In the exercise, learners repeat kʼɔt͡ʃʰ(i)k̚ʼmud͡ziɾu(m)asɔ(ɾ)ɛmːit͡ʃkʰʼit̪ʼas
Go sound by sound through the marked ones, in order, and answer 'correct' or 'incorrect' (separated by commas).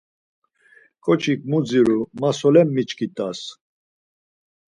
correct, correct, incorrect